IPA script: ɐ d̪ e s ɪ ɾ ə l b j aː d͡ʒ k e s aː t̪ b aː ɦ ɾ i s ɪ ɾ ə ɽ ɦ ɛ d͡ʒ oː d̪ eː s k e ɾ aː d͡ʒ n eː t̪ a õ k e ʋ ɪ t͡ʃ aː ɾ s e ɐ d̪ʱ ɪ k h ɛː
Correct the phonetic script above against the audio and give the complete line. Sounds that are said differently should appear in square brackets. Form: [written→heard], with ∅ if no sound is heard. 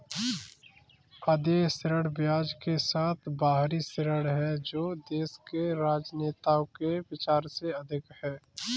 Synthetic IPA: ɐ d̪ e s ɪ ɾ ə [l→ɽ] b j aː d͡ʒ k e s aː [t̪→t̪ʰ] b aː ɦ ɾ i s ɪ ɾ ə ɽ ɦ ɛ d͡ʒ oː d̪ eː s k e ɾ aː d͡ʒ n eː t̪ a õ k e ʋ ɪ t͡ʃ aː ɾ s e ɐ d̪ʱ ɪ k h ɛː